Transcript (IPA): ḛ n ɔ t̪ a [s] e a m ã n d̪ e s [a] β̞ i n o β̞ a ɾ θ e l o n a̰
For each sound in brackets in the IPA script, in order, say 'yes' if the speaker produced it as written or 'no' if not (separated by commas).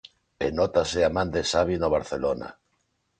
yes, yes